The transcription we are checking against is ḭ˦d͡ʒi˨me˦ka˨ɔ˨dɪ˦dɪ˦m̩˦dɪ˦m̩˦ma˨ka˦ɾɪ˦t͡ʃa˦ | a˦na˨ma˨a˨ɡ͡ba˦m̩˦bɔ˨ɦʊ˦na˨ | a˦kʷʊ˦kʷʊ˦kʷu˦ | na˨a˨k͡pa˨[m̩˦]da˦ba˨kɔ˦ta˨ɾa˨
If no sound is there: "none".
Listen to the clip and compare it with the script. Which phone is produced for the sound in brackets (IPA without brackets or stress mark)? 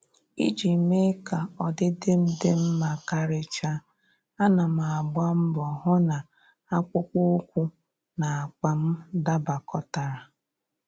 m̩˦